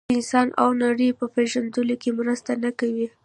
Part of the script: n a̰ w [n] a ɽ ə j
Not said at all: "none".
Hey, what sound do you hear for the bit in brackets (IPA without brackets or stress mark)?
n